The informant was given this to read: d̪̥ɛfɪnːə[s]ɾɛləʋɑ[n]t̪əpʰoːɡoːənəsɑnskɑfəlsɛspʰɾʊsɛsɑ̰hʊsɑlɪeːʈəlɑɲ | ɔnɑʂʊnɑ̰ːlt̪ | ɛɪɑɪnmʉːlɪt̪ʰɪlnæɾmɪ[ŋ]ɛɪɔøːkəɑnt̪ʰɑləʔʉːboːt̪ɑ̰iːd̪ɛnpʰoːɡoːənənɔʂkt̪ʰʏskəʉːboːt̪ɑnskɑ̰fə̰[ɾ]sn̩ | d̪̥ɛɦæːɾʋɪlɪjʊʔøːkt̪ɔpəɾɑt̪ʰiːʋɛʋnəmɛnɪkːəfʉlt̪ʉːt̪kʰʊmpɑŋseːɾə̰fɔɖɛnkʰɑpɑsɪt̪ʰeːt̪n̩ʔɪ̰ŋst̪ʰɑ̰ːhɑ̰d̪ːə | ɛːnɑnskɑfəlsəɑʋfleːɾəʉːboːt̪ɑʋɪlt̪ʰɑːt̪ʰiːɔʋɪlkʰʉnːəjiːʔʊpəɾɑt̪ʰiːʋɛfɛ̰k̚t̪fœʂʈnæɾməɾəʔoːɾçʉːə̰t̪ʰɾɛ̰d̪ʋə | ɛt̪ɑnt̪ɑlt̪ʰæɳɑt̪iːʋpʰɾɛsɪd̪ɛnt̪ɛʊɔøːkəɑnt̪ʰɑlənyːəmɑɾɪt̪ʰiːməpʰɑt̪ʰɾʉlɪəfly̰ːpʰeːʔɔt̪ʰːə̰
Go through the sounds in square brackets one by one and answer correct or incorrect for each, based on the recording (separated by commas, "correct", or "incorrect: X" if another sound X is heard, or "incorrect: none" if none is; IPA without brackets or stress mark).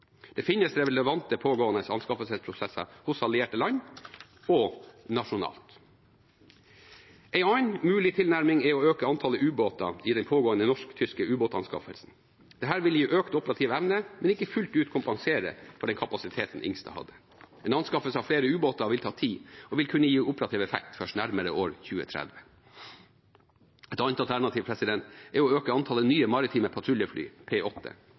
correct, correct, correct, incorrect: l